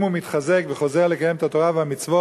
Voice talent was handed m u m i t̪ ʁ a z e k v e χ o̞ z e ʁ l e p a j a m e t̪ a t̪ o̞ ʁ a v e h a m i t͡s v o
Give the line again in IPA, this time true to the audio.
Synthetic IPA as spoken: m u m i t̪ χ a z e k v e χ o̞ z e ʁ l e k a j e m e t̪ a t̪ o̞ ʁ a v e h a m i t͡s v o